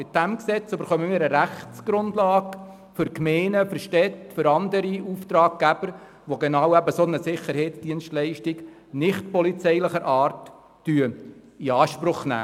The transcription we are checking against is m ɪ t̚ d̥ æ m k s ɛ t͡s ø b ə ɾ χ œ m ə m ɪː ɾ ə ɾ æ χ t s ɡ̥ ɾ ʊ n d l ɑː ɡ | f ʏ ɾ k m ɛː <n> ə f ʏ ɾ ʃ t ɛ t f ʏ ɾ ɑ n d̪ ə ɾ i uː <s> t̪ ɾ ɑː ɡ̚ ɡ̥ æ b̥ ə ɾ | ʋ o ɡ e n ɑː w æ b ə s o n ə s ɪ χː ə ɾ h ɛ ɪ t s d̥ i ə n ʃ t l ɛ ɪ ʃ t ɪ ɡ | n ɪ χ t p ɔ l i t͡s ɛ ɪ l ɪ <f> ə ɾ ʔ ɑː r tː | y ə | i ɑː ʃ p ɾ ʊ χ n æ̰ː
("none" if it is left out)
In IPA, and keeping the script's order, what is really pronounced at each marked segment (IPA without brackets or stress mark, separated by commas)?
n, f, χ